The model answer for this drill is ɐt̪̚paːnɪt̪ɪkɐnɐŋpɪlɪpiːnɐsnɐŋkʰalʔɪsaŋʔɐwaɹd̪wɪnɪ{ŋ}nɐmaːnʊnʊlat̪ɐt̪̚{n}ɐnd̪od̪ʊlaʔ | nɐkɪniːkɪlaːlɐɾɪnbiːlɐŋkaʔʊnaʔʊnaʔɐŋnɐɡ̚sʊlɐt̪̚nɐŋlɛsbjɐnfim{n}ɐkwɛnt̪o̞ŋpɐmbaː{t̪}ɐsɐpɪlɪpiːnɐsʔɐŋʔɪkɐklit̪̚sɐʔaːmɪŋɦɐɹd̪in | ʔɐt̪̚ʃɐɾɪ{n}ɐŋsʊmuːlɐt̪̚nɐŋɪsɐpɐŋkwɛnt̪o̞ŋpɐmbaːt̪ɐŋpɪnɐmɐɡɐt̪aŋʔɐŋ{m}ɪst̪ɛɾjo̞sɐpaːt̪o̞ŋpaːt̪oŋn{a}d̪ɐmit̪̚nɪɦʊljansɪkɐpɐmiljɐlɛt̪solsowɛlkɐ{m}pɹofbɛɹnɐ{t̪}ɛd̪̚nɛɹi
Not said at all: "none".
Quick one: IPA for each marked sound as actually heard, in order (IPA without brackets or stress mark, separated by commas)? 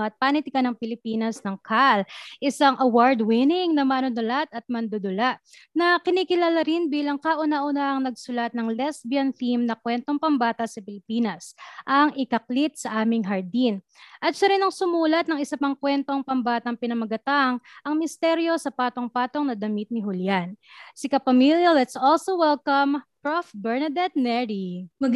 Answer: ŋ, m, n, t̪, n, m, ɐ, m, d̪